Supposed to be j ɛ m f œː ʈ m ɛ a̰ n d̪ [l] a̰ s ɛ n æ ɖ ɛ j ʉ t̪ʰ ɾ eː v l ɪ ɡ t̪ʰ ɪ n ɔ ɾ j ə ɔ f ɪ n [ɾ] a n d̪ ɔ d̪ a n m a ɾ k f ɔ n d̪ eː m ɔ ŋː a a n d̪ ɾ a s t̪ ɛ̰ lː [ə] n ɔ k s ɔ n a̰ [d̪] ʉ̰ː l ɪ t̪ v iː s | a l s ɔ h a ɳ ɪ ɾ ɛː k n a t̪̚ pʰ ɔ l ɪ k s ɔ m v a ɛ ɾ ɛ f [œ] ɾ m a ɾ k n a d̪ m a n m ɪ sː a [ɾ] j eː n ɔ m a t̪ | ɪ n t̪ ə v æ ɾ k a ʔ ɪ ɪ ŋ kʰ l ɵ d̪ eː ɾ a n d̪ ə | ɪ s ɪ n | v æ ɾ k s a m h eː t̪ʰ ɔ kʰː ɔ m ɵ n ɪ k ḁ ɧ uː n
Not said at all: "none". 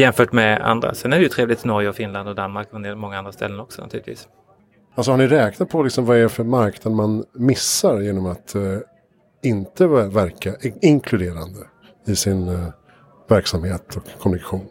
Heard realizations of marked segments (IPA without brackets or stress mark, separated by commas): ɾ, l, ə, t̪, œ, ɾ